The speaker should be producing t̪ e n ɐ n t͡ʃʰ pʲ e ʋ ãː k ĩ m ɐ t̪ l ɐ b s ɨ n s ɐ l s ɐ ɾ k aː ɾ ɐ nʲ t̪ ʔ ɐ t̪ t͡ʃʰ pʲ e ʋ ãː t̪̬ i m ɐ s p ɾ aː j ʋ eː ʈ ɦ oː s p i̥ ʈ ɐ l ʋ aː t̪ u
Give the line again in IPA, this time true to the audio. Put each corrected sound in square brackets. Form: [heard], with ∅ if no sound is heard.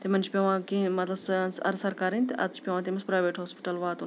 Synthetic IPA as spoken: t̪ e [m] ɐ n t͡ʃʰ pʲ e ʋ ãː k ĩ m ɐ t̪ l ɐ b s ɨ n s ɐ [ɾ] s ɐ ɾ k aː ɾ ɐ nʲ t̪ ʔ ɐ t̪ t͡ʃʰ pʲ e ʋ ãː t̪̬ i m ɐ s p ɾ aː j ʋ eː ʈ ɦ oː s p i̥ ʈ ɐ l ʋ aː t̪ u